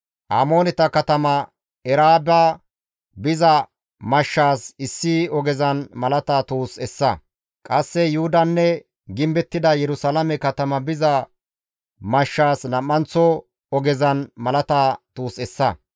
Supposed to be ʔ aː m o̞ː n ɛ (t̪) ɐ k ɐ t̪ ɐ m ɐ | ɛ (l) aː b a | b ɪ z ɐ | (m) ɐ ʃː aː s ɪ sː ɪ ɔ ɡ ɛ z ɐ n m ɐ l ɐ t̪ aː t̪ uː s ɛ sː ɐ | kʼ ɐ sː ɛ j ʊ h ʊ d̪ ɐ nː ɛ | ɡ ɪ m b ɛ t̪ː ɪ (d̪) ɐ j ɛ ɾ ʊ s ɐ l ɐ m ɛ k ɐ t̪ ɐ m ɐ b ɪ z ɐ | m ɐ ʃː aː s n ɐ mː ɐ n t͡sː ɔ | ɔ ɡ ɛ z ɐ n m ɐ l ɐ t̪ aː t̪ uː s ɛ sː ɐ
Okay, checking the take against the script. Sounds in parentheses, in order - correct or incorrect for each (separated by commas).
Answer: correct, incorrect, correct, correct